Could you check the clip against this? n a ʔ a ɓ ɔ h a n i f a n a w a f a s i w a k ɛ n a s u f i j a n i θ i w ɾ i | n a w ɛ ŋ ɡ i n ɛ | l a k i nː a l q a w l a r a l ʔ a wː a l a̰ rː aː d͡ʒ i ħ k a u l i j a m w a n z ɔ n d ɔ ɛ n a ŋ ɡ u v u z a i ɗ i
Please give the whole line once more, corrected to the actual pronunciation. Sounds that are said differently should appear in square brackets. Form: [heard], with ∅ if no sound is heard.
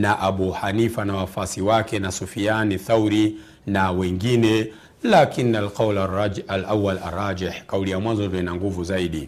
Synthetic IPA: n a ʔ a ɓ [u] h a n i f a n a w a f a s i w a k ɛ n a s u f i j a n i θ [a] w ɾ i | n a w ɛ ŋ ɡ i n ɛ | l a k i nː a l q a w l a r a l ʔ a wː a l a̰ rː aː d͡ʒ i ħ k a u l i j a m w a n z ɔ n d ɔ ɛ n a ŋ ɡ u v u z a i ɗ i